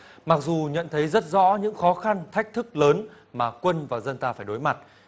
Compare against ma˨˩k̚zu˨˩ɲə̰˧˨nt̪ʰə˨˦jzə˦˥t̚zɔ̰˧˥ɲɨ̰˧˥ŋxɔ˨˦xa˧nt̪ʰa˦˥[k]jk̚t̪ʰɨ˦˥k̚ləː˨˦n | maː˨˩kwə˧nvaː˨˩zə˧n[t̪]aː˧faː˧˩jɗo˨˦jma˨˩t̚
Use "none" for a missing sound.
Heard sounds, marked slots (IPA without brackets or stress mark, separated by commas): none, t̪